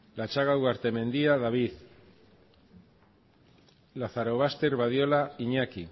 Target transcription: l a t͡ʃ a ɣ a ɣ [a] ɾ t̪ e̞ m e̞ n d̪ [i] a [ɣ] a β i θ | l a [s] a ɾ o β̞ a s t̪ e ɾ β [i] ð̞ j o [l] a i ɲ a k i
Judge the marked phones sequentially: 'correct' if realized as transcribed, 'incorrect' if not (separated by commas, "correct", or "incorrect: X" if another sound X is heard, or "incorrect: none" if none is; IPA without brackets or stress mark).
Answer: correct, correct, incorrect: ð, incorrect: θ, incorrect: a, correct